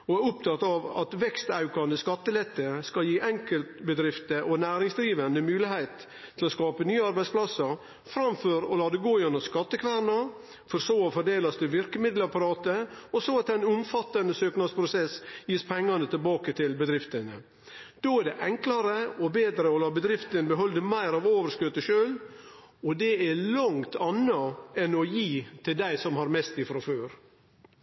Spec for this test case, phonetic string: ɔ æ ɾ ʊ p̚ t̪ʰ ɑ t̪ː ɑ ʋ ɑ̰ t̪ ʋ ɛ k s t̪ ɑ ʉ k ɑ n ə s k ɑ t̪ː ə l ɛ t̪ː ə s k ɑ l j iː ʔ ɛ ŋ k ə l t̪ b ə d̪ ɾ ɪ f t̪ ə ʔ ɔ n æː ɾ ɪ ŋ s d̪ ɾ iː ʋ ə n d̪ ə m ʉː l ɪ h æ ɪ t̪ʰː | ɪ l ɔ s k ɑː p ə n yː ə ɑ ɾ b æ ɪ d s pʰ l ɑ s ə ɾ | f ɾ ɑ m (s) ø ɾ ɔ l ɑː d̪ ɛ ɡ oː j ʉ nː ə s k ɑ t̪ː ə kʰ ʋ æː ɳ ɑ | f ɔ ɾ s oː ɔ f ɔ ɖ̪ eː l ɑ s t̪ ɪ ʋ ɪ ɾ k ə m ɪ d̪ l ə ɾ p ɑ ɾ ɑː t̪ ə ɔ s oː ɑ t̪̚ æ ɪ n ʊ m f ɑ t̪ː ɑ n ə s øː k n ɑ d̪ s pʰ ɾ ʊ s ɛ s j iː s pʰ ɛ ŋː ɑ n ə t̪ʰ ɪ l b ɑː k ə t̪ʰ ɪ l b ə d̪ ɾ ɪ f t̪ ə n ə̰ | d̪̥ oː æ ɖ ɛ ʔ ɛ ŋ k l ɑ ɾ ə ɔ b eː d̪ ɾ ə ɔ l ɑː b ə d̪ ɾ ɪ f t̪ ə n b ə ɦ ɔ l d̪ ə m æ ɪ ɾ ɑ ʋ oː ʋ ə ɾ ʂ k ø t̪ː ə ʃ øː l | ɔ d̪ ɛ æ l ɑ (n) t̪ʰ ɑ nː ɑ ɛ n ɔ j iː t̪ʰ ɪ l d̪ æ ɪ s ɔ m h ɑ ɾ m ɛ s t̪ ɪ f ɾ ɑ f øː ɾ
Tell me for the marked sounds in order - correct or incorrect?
incorrect: f, incorrect: ŋ

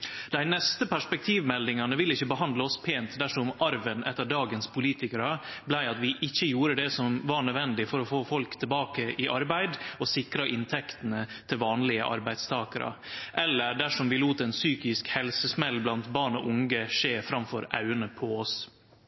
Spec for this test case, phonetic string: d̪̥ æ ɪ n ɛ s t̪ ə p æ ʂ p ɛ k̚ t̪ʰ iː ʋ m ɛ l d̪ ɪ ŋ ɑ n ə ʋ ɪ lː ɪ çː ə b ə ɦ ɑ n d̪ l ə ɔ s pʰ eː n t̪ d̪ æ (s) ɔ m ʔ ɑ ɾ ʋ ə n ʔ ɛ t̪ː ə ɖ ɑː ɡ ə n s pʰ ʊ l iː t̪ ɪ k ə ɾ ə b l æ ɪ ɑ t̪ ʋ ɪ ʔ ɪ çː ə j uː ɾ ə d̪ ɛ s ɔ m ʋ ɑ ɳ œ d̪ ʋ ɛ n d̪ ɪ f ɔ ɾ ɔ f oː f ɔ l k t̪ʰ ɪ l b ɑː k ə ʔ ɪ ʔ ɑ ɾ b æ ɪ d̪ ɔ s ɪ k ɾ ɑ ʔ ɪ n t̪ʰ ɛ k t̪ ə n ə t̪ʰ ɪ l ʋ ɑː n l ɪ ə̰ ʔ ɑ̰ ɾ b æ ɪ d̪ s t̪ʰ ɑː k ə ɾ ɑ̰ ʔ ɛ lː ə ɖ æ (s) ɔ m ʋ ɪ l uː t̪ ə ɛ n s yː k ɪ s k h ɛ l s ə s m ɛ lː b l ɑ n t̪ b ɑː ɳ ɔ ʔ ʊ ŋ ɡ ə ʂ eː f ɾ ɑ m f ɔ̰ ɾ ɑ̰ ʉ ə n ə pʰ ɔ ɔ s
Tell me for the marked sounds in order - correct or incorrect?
incorrect: ʂ, incorrect: ʂ

